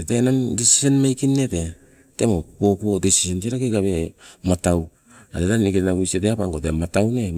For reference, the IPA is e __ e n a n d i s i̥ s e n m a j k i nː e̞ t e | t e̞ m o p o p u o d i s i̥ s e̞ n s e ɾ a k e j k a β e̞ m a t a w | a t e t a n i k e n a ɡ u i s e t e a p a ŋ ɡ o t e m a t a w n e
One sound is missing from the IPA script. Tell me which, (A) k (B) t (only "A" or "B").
B